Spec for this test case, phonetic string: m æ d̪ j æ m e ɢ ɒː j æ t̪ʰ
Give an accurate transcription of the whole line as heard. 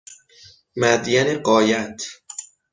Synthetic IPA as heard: m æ d̪ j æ n e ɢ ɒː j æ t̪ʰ